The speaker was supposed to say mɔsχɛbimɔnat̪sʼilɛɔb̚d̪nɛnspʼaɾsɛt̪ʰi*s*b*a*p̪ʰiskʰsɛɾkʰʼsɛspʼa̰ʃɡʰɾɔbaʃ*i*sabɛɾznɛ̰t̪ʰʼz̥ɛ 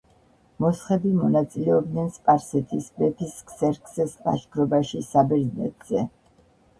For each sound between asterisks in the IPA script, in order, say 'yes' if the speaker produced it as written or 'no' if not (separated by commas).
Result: yes, no, yes